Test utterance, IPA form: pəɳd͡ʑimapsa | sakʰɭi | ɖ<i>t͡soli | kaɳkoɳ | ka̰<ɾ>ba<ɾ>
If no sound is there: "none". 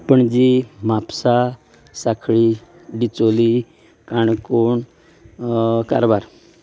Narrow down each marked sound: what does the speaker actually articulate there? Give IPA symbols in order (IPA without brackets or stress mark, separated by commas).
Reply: i, ɾ, ɾ